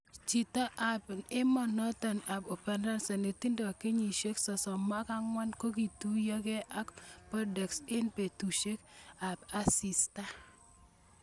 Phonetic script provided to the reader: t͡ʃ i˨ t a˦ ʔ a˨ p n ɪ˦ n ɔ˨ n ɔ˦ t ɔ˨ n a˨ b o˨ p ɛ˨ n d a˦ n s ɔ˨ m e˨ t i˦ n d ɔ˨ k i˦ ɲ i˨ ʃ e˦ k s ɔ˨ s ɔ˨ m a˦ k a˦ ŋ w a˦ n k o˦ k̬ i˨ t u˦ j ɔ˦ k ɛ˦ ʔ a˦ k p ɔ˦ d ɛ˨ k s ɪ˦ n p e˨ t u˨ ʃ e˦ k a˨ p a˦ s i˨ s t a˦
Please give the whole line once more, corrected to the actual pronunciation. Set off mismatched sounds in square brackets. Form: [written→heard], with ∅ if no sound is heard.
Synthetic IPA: t͡ʃ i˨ t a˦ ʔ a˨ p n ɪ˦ [n→m] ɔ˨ n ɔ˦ t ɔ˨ n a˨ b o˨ p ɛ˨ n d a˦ n s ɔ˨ [m→n] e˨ t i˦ n d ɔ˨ k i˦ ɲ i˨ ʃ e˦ k s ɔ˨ s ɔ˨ m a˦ k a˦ ŋ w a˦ n k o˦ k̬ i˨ t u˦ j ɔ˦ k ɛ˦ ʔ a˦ k p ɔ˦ d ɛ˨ k s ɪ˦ n p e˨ t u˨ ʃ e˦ k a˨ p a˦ s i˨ s t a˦